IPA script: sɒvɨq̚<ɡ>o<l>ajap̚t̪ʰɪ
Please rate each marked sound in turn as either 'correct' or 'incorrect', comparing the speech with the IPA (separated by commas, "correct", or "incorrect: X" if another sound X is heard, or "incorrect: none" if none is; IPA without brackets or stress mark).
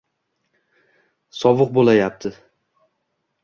incorrect: b, correct